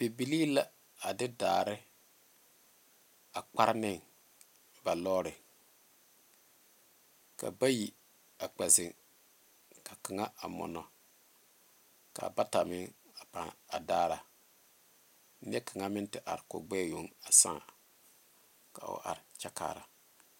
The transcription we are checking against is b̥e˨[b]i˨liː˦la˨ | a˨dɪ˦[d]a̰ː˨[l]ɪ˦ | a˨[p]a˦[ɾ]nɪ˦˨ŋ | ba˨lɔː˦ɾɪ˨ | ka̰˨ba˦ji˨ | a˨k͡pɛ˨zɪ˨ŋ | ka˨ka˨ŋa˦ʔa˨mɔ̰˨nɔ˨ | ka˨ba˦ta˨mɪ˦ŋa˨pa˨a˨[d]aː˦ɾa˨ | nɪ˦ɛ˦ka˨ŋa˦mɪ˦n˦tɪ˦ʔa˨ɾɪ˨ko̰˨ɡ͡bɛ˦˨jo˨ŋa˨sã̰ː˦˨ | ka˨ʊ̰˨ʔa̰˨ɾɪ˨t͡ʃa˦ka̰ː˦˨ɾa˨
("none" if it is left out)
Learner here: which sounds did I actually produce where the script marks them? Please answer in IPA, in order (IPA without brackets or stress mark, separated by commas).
b, d, ɾ, k͡p, ɾ, d